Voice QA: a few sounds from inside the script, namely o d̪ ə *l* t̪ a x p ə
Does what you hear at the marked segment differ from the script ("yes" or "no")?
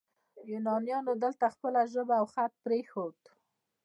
no